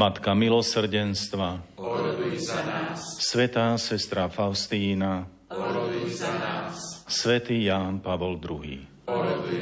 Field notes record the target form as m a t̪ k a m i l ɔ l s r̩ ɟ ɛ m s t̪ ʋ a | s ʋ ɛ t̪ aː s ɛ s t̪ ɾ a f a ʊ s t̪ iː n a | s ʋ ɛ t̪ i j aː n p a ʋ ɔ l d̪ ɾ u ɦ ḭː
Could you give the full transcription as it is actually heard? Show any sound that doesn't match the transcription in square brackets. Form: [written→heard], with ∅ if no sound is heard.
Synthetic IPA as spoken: m a t̪ k a m i l ɔ [l→∅] s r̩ ɟ ɛ [m→n] s t̪ ʋ a | s ʋ ɛ t̪ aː s ɛ s t̪ ɾ a f a ʊ s t̪ iː n a | s ʋ ɛ t̪ [i→iː] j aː n p a ʋ ɔ l d̪ ɾ u ɦ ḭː